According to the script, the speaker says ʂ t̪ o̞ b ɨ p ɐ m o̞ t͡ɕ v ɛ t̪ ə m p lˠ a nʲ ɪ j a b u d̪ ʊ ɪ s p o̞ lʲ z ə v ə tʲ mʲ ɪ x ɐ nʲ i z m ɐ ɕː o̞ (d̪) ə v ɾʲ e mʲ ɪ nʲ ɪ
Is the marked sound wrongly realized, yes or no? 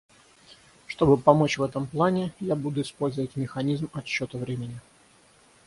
yes